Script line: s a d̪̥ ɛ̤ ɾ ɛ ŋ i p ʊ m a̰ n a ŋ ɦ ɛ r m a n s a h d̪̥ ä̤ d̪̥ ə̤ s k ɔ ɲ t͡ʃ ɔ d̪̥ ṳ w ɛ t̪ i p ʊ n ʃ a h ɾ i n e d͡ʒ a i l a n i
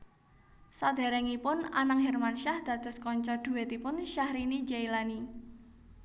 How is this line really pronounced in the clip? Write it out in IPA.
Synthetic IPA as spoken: s a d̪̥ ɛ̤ ɾ ɛ ŋ i p ʊ n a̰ n a ŋ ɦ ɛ r m a n ʃ a h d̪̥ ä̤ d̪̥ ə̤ s k ɔ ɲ t͡ʃ ɔ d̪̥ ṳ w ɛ t̪ i p ʊ n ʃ a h ɾ i n i d͡ʒ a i l a n i